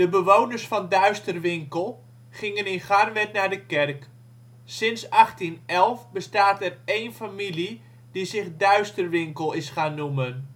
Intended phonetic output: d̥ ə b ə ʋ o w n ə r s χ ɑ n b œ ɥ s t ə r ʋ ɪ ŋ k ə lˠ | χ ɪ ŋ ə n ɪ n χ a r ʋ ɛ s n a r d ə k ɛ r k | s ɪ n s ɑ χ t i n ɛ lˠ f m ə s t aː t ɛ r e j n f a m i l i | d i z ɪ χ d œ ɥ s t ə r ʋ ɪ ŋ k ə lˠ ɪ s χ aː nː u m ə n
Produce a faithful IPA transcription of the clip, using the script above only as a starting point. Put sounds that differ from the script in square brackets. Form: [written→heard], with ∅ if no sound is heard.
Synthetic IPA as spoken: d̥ ə b ə ʋ o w n ə r s [χ→f] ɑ n [b→d] œ ɥ s t ə r ʋ ɪ ŋ k ə lˠ | χ ɪ ŋ ə n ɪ n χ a r ʋ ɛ [s→t] n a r d ə k ɛ r k | s ɪ n s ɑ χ t i n ɛ lˠ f [m→b] ə s t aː t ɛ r e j n f a m i l i | d i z ɪ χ d œ ɥ s t ə r ʋ ɪ ŋ k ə lˠ ɪ s χ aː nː u m ə n

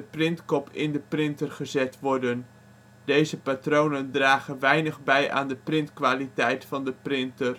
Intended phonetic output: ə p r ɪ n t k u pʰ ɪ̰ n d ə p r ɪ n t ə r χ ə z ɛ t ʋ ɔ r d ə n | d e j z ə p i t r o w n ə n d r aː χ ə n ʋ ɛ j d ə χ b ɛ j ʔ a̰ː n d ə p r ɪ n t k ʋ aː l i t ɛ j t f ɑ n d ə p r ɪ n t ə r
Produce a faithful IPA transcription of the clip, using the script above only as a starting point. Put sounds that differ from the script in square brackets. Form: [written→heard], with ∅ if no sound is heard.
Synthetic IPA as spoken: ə p r ɪ n t k [u→ɔ] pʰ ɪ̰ n d ə p r ɪ n t ə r χ ə z ɛ t ʋ ɔ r d ə n | d e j z ə p [i→a] t r o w n ə n d r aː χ ə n ʋ ɛ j [d→n] ə χ b ɛ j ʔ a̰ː n d ə p r ɪ n t k ʋ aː l i t ɛ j t f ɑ n d ə p r ɪ n t ə r

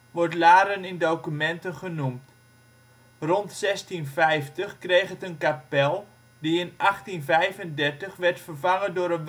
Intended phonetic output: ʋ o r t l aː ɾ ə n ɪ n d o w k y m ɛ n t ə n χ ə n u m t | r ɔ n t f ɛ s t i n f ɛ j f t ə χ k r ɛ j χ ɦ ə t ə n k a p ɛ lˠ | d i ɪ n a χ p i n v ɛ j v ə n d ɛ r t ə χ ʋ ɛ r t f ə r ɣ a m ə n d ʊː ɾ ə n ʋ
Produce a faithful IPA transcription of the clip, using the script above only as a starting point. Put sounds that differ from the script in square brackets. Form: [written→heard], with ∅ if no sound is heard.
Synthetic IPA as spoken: ʋ [o→ɔ] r t l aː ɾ ə n ɪ n d o w k y m ɛ n t ə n χ ə n u m t | r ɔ n t [f→s] ɛ s t i n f ɛ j f t ə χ k r [ɛ→e] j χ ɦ ə t ə n k a p ɛ lˠ | d i ɪ n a χ [p→t] i n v ɛ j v ə n d ɛ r t ə χ ʋ ɛ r t f ə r [ɣ→v] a [m→ŋ] ə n d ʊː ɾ ə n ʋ

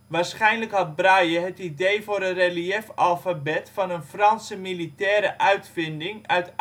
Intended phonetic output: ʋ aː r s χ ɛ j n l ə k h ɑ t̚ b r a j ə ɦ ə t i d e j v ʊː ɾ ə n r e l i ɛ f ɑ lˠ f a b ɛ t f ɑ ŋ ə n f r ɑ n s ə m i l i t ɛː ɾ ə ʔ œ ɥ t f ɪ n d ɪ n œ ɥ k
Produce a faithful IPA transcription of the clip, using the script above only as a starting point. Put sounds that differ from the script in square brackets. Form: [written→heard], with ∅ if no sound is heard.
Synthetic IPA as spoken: ʋ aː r s χ ɛ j n l ə k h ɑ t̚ b r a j ə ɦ ə t i d e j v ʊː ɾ ə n r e l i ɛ f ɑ lˠ f a b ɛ t f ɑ [ŋ→n] ə n f r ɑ n s ə m i l i t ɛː ɾ ə ʔ œ ɥ t f ɪ n d ɪ [n→ŋ] œ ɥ [k→t]

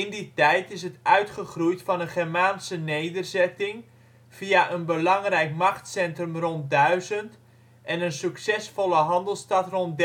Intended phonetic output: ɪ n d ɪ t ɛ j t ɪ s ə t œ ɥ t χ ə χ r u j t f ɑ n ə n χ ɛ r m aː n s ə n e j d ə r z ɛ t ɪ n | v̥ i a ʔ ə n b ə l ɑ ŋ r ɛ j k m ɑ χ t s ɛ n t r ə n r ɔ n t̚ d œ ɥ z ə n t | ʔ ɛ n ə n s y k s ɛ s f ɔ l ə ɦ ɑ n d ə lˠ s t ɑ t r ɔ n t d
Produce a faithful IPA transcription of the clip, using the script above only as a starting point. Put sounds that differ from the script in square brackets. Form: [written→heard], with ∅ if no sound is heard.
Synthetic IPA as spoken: ɪ n d [ɪ→i] t ɛ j t ɪ s ə t œ ɥ t χ ə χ r u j t f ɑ n ə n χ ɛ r m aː n s ə n e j d ə r z ɛ t ɪ [n→ŋ] | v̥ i a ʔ ə n b ə l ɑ ŋ r ɛ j k m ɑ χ t s ɛ n t r ə [n→m] r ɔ n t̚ d œ ɥ z ə n t | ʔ ɛ n ə n s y k s ɛ s f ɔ l ə ɦ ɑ n d ə lˠ s t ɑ t r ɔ n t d

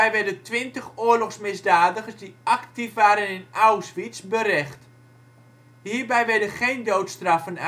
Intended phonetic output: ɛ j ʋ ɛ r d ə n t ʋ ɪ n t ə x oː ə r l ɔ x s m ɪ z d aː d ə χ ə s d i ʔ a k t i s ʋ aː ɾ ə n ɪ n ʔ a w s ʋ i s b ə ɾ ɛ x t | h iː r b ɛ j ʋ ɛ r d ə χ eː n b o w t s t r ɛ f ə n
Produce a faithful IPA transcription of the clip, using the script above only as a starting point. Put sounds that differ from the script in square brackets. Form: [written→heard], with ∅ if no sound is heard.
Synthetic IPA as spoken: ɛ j ʋ ɛ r d ə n t ʋ ɪ n t ə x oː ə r l ɔ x s m ɪ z d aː d ə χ ə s d i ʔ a k t i [s→f] ʋ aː ɾ ə n ɪ n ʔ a w s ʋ i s b ə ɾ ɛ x t | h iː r b ɛ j ʋ ɛ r d ə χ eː n [b→d] o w t s t r [ɛ→a] f ə n

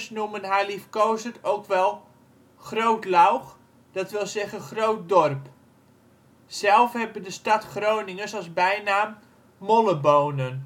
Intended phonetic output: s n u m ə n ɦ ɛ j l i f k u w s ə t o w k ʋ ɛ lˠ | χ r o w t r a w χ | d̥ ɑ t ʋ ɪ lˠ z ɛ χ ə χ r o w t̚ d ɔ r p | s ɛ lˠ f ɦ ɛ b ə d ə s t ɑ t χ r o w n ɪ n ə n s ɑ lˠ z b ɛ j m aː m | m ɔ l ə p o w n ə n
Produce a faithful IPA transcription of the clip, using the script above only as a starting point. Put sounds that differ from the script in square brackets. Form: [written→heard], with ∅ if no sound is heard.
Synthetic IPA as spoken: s n u m ə n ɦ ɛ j l i f k [u→o] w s ə t o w k ʋ ɛ lˠ | χ r o w t [r→l] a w χ | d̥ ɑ t ʋ ɪ lˠ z ɛ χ ə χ r o w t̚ d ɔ r p | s ɛ lˠ f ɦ ɛ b ə d ə s t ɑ t χ r o w n ɪ [n→ŋ] ə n s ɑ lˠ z b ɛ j [m→n] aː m | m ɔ l ə [p→b] o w n ə n

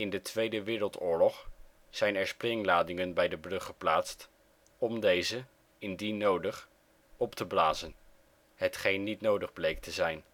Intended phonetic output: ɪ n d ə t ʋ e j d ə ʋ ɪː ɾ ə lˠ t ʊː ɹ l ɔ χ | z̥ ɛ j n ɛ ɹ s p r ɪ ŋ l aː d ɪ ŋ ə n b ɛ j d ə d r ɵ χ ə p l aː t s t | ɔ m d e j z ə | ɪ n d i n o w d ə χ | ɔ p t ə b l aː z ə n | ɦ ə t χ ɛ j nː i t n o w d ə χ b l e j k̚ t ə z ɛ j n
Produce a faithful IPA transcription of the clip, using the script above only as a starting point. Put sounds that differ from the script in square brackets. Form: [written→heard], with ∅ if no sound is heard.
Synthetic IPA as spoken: ɪ n d ə t ʋ e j d ə ʋ ɪː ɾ ə lˠ t ʊː ɹ l ɔ χ | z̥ ɛ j n ɛ ɹ s p r ɪ ŋ l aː d ɪ ŋ ə n b ɛ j d ə [d→b] r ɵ χ ə p l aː t s t | ɔ m d e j z ə | ɪ n d i n o w d ə χ | ɔ p t ə b l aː z ə n | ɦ ə t χ [ɛ→e] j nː i t n o w d ə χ b l e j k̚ t ə z ɛ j n

